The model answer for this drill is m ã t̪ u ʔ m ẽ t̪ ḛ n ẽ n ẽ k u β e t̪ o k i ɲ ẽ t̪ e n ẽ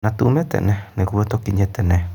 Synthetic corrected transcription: n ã t̪ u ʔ m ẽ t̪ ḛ n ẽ n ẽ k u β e t̪ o k i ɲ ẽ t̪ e n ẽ